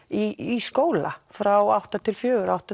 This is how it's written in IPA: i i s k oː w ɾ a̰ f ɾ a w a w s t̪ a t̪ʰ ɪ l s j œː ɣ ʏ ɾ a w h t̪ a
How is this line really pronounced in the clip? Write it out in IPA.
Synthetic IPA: i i s k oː w l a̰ f ɾ a w a w h t̪ a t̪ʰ ɪ l f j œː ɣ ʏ ɾ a w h t̪ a